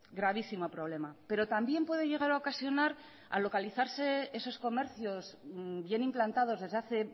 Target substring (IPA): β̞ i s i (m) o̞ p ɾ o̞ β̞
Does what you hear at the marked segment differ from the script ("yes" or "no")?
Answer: no